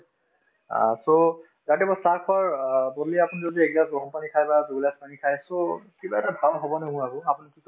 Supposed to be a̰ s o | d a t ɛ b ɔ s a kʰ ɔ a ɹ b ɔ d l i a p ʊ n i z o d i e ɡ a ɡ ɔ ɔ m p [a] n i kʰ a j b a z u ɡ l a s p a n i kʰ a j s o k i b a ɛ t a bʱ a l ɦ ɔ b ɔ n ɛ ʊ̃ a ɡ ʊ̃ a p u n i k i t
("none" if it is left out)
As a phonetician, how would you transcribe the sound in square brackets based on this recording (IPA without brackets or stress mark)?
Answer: a